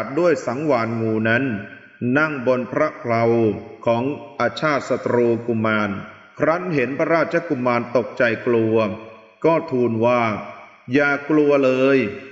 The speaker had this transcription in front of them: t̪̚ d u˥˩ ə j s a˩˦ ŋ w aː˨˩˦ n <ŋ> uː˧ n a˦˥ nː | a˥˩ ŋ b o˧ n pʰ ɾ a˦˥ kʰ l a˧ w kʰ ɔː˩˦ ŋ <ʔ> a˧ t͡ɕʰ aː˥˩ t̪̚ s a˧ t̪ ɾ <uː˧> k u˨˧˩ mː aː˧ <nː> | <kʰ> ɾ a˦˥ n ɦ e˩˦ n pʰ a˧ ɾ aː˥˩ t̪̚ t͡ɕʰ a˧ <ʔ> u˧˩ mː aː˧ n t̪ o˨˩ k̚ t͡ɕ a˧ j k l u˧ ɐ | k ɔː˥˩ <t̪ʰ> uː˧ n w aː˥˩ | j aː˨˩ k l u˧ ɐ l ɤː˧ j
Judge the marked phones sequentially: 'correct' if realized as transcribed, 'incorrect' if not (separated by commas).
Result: correct, correct, correct, incorrect, correct, incorrect, correct